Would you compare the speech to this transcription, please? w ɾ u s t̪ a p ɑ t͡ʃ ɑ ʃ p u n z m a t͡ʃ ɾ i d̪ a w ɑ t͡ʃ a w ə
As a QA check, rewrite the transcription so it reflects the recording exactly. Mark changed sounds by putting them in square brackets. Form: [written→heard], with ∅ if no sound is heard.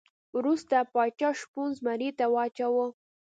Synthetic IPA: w ɾ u s t̪ a p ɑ t͡ʃ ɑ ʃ p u n z m a [t͡ʃ→∅] ɾ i [d̪→t̪] a w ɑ t͡ʃ a w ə